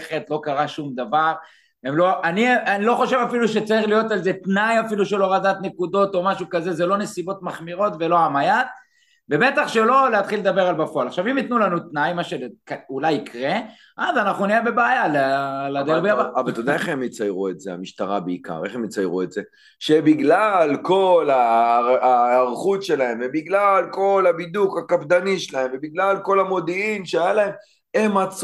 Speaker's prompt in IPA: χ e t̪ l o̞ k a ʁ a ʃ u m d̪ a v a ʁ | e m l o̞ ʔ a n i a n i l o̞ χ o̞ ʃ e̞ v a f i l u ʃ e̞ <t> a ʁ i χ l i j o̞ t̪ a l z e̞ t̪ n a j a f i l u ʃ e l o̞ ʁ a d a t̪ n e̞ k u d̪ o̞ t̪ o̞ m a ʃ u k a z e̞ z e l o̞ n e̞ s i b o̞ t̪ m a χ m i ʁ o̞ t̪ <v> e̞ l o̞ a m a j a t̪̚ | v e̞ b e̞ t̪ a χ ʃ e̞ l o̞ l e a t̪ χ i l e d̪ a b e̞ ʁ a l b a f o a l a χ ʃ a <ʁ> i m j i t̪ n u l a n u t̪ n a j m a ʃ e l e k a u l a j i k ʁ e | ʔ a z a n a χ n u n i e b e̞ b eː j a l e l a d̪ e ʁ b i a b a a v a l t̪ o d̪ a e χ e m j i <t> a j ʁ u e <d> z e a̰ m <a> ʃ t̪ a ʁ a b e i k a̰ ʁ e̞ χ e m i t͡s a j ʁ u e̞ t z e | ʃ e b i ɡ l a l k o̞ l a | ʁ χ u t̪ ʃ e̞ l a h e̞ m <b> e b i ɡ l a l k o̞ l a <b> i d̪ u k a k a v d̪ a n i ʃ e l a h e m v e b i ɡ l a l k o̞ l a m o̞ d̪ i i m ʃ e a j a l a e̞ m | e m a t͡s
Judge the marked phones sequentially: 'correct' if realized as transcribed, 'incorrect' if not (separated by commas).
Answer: incorrect, correct, incorrect, incorrect, incorrect, incorrect, incorrect, correct